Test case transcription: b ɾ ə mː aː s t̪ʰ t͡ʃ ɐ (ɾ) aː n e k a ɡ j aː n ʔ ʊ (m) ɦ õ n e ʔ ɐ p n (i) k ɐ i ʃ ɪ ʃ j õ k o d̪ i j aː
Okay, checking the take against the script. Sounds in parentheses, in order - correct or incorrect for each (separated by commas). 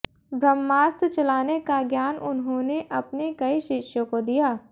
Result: incorrect, incorrect, incorrect